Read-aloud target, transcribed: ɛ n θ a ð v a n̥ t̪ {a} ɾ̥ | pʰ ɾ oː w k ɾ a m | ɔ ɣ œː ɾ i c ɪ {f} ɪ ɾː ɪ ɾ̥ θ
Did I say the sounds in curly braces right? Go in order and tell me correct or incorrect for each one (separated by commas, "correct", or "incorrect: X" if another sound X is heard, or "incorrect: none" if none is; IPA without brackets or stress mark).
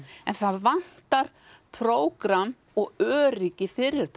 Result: correct, correct